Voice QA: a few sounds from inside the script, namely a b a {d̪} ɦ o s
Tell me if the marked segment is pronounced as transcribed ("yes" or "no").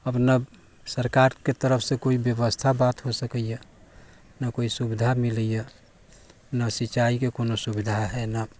no